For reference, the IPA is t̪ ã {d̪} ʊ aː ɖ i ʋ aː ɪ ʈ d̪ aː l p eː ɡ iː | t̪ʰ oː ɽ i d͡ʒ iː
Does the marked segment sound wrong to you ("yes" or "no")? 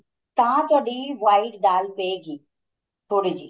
yes